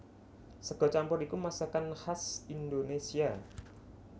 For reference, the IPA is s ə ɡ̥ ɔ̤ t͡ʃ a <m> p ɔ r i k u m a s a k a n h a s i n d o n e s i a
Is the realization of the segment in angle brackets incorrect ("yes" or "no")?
no